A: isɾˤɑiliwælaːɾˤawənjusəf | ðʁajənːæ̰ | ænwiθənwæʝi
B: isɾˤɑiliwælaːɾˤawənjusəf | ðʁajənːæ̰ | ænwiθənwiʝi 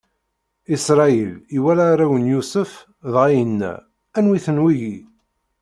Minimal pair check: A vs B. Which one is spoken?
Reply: B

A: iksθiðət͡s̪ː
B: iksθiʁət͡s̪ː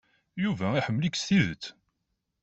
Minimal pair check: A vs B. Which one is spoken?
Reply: A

